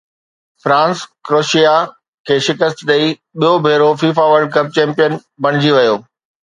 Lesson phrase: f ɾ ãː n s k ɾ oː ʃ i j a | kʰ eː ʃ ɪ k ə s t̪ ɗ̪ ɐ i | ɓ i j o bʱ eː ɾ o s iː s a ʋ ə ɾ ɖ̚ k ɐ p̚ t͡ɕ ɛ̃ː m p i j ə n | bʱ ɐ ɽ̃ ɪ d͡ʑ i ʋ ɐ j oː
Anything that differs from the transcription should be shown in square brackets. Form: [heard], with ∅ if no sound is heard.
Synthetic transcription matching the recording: f ɾ ãː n s k ɾ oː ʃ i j a | kʰ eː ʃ ɪ k ə s t̪ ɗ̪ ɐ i | ɓ i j o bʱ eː ɾ o [f] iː [f] a ʋ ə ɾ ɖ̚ k ɐ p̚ t͡ɕ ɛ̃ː m p i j ə n | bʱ ɐ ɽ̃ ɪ d͡ʑ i ʋ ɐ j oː